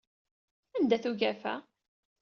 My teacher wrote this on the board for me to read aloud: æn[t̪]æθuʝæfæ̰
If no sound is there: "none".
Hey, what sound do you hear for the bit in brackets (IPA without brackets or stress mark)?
d̪